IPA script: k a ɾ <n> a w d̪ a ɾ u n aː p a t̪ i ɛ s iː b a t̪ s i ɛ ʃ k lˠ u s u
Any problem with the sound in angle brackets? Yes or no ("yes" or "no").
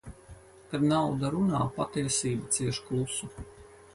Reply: no